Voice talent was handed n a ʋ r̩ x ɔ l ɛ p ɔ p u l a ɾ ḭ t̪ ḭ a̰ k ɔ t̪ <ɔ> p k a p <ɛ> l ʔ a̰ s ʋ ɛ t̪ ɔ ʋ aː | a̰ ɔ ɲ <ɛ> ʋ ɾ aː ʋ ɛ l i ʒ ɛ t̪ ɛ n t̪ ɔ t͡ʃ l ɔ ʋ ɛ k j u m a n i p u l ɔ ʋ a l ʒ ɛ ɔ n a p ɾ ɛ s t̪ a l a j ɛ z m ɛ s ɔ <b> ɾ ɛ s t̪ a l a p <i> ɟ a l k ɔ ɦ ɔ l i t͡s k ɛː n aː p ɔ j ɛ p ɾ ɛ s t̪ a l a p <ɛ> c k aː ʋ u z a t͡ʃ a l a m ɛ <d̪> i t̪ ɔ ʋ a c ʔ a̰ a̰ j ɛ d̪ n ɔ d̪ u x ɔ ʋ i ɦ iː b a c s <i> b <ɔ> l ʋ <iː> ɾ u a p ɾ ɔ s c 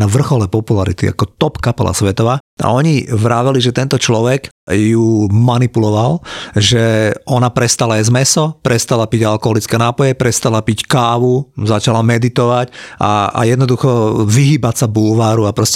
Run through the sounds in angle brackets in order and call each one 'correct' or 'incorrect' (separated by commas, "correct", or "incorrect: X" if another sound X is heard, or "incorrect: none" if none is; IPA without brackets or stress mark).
correct, correct, incorrect: i, incorrect: p, correct, incorrect: i, correct, incorrect: a, incorrect: u, incorrect: aː